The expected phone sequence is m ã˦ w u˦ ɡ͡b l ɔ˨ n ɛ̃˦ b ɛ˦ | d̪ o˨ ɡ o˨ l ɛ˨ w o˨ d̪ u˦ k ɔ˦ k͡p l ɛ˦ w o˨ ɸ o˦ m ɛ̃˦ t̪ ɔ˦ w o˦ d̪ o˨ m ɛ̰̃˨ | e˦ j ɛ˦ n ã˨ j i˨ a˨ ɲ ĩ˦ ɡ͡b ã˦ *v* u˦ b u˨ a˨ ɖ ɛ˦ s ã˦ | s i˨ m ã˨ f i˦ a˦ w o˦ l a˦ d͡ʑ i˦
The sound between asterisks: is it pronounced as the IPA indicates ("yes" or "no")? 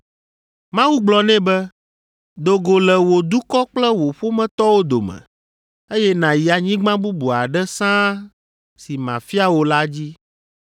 no